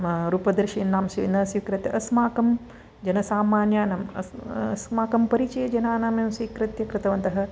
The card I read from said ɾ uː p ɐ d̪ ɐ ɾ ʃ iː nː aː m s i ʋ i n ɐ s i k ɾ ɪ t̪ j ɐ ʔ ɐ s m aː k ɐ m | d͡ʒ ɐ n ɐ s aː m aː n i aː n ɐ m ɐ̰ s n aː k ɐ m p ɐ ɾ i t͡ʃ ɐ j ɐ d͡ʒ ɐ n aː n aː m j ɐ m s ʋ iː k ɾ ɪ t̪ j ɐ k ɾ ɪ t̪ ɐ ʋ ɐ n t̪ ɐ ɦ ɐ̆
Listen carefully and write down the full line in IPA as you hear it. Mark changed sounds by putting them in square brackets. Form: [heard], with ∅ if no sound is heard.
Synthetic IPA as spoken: ɾ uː p ɐ d̪ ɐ ɾ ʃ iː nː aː m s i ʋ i n ɐ s i k ɾ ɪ t̪ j ɐ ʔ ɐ s m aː k ɐ m | d͡ʒ ɐ n ɐ s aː m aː n [j] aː n ɐ m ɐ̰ s [m] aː k ɐ m p ɐ ɾ i t͡ʃ ɐ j ɐ d͡ʒ ɐ n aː n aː m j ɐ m s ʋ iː k ɾ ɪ t̪ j ɐ k ɾ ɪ t̪ ɐ ʋ ɐ n t̪ ɐ ɦ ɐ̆